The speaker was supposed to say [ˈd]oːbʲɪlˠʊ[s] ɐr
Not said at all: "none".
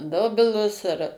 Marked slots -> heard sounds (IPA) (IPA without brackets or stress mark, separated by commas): d, s